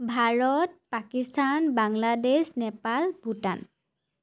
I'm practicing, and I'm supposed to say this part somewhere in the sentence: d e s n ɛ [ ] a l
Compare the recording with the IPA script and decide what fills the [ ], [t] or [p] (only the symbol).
p